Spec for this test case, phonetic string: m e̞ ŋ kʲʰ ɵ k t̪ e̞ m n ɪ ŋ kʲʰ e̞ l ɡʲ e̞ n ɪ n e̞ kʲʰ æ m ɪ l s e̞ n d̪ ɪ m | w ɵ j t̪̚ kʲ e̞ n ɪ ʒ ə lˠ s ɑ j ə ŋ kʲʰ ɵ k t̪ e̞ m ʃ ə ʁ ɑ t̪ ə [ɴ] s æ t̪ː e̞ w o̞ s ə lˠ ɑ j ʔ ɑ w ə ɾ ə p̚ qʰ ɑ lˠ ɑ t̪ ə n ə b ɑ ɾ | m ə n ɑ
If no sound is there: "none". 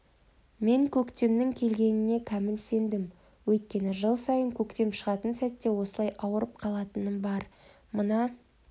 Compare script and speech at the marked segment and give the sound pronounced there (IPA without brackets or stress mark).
n